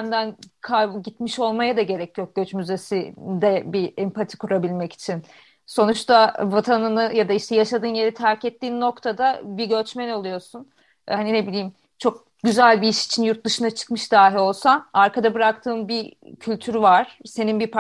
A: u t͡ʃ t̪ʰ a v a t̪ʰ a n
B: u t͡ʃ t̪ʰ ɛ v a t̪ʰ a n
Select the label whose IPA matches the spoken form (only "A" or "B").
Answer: A